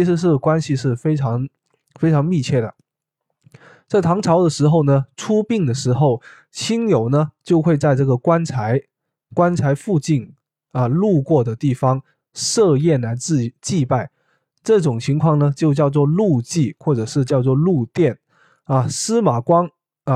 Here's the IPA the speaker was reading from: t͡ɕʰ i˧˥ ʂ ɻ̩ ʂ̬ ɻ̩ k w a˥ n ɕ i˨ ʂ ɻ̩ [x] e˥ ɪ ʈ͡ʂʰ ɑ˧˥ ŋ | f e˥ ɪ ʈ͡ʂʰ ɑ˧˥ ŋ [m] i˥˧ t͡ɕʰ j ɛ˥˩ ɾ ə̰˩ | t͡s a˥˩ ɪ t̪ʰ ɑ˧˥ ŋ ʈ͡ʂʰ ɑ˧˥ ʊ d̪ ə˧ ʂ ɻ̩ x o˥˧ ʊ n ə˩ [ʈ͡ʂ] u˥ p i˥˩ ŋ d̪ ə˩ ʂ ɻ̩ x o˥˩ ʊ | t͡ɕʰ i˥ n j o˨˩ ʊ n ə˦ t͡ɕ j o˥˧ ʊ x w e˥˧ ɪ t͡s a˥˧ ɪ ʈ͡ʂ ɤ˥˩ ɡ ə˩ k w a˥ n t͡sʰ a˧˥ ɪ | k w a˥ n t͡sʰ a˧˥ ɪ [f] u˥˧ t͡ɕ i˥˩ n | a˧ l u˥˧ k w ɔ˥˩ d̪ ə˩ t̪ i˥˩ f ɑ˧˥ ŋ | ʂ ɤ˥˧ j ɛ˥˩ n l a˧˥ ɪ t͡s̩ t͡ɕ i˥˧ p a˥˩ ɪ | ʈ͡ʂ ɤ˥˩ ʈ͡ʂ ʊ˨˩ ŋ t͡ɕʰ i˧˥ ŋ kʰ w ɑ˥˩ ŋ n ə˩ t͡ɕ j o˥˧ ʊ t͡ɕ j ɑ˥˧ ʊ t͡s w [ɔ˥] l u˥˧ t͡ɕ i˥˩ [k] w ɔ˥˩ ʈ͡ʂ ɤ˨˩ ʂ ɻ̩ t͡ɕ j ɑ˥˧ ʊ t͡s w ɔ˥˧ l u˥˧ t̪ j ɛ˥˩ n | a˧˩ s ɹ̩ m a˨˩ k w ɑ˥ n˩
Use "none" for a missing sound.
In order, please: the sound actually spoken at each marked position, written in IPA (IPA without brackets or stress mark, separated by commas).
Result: f, m, ʈ͡ʂʰ, f, ɔ˥˧, x